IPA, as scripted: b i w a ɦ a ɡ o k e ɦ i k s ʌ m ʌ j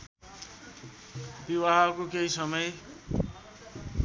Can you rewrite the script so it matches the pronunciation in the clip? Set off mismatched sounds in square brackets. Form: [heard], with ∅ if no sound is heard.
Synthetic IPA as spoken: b i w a ɦ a [k] o k e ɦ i [∅] s ʌ m ʌ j